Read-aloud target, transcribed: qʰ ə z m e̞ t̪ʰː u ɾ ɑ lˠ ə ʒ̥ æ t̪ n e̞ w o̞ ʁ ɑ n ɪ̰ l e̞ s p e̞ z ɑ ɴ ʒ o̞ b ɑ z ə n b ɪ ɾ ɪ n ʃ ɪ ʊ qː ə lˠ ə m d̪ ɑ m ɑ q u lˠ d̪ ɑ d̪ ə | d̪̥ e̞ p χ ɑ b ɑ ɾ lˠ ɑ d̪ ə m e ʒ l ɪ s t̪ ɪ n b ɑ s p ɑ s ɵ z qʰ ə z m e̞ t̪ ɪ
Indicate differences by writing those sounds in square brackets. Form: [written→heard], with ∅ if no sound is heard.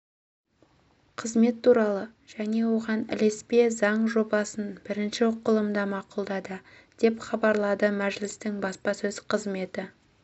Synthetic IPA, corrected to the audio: qʰ ə z m e̞ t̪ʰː u ɾ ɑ lˠ ə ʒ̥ æ [t̪→∅] n e̞ w o̞ ʁ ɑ n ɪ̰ l e̞ s p e̞ z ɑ ɴ ʒ o̞ b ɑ [z→s] ə n b ɪ ɾ ɪ n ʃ ɪ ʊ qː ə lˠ ə m d̪ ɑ m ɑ q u lˠ d̪ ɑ d̪ ə | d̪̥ e̞ p χ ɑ b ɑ ɾ lˠ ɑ d̪ ə m [e→æ] ʒ l ɪ s t̪ ɪ [n→ŋ] b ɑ s p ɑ s ɵ z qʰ ə z m e̞ t̪ ɪ